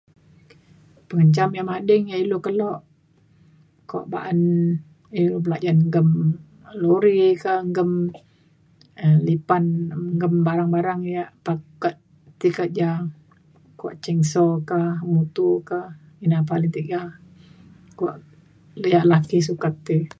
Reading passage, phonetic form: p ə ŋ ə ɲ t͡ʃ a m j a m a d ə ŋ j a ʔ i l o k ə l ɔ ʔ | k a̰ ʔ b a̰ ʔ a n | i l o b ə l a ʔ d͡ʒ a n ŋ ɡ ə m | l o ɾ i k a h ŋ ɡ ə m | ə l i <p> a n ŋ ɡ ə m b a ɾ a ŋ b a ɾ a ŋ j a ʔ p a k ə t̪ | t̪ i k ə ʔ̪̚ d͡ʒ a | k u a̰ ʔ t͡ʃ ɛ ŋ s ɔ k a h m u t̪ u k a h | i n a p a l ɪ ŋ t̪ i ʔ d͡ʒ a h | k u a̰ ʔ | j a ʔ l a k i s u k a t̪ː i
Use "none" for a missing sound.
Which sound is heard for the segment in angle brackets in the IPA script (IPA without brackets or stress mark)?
p